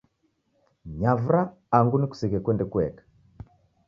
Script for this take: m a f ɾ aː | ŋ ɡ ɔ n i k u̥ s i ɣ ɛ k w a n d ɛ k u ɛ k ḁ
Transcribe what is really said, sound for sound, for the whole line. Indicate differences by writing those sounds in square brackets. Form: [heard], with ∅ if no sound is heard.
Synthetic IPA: [ɲ] a [v] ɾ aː | ŋ ɡ [u] n i k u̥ s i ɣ ɛ k w [ɛ] n d ɛ k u ɛ k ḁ